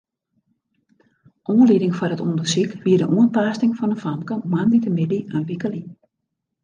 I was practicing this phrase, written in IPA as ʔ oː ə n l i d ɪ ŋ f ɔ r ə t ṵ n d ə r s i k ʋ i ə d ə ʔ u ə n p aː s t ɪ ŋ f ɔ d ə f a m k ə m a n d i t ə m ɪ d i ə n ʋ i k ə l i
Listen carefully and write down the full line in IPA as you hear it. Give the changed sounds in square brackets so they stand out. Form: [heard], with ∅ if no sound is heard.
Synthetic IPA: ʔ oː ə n l i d ɪ ŋ f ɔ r ə t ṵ n d ə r s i k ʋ i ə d ə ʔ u ə n p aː s t ɪ ŋ f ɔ [n] ə f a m k ə m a n d i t ə m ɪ d i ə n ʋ i k ə l i